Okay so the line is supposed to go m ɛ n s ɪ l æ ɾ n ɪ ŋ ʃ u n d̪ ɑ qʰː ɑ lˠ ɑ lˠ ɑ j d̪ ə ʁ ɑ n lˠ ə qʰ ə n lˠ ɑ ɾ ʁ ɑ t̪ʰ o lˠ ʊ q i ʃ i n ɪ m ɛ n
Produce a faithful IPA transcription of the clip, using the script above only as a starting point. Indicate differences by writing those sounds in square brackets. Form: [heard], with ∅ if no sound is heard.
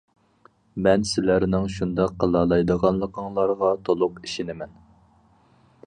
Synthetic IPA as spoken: m ɛ n s ɪ l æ ɾ n ɪ ŋ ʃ u n d̪ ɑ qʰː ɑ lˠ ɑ lˠ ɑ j d̪ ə ʁ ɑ n lˠ ə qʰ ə [ŋ] lˠ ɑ ɾ ʁ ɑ t̪ʰ o lˠ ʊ q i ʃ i n ɪ m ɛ n